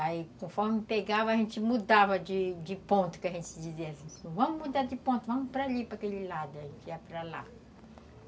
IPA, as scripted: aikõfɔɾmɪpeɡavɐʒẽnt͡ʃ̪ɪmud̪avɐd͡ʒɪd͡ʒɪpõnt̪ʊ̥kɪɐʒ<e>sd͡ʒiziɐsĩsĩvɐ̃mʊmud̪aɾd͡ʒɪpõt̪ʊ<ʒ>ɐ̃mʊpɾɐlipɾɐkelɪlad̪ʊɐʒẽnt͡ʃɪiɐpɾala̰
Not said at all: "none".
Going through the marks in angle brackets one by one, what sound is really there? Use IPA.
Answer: ẽ, v

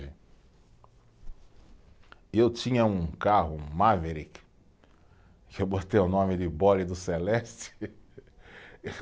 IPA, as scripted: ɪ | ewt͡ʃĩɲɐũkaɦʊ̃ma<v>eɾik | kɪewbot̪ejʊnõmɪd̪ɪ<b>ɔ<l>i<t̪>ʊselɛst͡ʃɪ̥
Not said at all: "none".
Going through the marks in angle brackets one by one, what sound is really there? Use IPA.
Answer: v, b, l, d̪

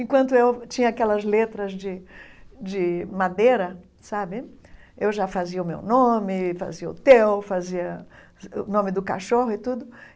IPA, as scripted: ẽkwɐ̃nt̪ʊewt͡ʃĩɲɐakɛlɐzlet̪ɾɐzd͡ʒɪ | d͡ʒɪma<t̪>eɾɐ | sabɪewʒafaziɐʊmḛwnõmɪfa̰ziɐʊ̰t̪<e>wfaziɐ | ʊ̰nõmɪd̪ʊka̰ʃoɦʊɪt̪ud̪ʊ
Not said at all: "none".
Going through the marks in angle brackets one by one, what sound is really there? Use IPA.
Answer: d̪, e

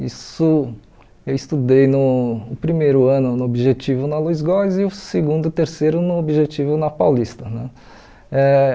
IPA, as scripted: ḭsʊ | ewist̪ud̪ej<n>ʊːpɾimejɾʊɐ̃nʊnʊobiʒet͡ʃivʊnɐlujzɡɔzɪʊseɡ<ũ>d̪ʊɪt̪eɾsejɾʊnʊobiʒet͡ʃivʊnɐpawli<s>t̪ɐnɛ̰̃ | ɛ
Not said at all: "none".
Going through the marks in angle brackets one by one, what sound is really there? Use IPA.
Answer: n, ũ, s

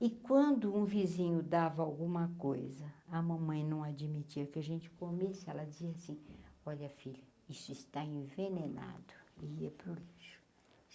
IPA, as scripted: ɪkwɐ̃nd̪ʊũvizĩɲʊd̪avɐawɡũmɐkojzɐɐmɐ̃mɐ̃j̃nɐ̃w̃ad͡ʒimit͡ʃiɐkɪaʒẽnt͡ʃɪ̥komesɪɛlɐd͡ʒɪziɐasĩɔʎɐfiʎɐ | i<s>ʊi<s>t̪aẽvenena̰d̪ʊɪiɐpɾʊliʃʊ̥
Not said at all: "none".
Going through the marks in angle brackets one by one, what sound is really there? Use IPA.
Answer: s, s

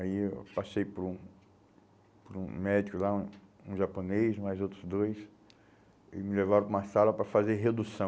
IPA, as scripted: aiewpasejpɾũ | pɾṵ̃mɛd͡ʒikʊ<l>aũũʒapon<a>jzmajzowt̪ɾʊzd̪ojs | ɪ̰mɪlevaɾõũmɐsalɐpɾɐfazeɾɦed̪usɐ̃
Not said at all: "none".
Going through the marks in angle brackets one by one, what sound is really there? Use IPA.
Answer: l, e

